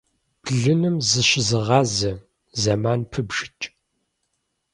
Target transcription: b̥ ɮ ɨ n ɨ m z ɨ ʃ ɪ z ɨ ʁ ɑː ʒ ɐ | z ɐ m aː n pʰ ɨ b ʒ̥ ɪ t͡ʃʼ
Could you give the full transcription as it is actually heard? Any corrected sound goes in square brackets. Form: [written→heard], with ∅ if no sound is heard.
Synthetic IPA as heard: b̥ ɮ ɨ n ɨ m z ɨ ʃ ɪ z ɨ ʁ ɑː [ʒ→z] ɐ | z ɐ m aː n pʰ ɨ b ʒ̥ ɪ t͡ʃʼ